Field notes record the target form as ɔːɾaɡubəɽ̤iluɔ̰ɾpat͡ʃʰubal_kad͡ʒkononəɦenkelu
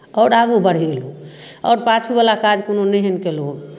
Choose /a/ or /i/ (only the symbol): a